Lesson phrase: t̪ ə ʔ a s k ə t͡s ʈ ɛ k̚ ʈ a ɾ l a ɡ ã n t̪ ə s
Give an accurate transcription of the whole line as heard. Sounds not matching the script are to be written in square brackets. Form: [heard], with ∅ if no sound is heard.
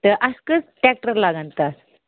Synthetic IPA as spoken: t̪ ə ʔ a s k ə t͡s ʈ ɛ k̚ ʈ [ə] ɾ l a ɡ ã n t̪ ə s